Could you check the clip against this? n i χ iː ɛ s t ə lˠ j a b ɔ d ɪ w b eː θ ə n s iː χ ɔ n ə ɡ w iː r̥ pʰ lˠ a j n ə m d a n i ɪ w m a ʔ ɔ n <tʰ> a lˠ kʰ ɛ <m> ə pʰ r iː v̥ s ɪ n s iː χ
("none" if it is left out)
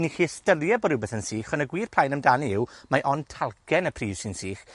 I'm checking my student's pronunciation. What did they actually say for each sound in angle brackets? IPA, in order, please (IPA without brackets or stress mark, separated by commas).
tʰ, n